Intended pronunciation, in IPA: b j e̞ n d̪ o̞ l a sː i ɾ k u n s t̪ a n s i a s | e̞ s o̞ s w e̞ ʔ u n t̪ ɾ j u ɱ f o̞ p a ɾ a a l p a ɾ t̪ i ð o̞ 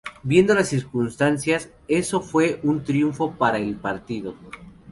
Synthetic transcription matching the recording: b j e̞ n d̪ o̞ l a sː i ɾ k u n s t̪ a n s j a s | e̞ s o̞ f w e̞ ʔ u n t̪ ɾ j u ɱ f o̞ p a ɾ a e l p a ɾ t̪ i ð o̞